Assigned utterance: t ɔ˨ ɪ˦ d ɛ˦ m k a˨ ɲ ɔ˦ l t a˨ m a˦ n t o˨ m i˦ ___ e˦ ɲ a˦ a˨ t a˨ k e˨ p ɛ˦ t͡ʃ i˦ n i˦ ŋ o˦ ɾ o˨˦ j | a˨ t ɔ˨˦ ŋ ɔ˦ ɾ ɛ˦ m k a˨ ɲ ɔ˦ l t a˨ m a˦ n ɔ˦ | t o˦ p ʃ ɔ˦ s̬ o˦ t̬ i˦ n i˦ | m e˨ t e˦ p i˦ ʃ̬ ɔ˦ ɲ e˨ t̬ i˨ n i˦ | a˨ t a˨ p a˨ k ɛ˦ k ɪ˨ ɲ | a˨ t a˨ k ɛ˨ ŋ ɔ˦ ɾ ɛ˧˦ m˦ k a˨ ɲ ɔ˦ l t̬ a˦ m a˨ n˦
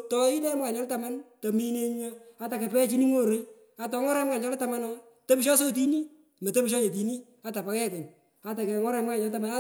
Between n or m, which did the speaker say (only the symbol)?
n